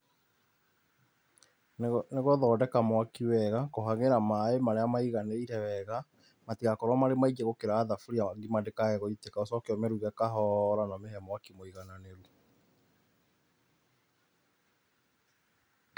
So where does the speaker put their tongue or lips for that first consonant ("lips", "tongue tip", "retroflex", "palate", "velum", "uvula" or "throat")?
tongue tip